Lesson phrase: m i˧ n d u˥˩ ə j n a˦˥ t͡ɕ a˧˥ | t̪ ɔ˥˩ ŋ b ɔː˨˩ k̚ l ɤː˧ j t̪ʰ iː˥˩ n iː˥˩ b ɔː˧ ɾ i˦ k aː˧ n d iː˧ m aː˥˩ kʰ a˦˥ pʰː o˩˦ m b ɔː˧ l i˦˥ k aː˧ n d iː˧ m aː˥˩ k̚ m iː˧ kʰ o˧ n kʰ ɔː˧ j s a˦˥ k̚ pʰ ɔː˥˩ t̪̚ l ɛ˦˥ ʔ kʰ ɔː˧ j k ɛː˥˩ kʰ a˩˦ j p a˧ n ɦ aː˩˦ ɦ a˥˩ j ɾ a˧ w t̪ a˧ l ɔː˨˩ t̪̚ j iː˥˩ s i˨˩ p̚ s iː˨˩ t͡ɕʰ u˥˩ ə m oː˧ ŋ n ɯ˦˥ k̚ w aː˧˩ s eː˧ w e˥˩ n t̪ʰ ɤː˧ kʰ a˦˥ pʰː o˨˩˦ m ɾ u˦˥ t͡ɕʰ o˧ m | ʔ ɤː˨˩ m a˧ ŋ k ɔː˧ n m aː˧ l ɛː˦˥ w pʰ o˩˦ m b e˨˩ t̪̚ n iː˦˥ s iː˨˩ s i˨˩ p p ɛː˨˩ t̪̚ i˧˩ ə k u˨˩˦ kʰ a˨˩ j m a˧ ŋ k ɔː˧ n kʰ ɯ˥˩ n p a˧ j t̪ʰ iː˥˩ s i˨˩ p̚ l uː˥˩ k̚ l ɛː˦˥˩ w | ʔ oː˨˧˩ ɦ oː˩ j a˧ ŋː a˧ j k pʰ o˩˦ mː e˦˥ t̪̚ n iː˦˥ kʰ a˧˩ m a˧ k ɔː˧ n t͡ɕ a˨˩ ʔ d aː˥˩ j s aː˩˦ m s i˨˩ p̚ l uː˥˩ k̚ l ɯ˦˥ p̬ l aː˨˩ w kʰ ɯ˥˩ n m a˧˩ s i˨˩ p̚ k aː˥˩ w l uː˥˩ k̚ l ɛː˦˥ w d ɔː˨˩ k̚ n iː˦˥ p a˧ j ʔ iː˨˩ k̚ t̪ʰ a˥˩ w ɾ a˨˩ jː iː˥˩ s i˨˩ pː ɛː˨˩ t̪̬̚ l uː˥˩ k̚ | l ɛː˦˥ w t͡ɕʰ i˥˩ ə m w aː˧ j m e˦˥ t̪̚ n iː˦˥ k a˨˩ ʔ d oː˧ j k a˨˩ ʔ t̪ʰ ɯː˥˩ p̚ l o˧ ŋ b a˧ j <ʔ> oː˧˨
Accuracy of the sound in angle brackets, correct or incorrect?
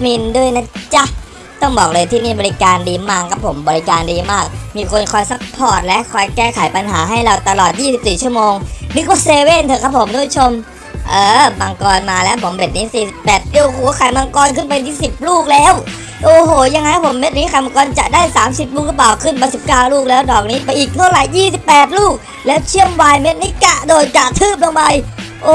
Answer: correct